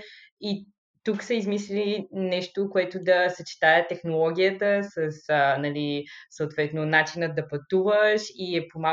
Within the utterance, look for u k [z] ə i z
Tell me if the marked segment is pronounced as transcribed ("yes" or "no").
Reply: no